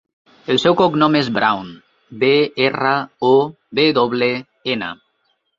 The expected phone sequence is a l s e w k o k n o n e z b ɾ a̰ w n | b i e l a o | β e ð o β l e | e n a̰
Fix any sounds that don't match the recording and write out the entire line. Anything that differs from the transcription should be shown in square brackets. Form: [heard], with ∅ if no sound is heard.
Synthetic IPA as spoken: [e] l s e w k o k n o [m] e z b ɾ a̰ w n | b [e] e [r] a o | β e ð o β l e | e n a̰